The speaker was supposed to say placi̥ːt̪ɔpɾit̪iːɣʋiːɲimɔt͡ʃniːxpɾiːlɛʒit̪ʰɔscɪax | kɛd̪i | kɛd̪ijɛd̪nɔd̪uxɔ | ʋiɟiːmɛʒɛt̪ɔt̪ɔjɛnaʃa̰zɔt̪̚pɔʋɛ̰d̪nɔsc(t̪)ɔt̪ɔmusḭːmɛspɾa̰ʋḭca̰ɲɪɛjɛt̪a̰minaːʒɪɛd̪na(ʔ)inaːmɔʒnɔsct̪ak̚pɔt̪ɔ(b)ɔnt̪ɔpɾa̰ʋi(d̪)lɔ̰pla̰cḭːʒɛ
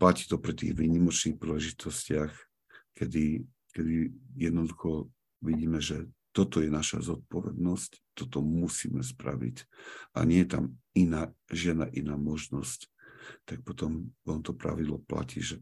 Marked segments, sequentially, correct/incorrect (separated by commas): correct, correct, incorrect, correct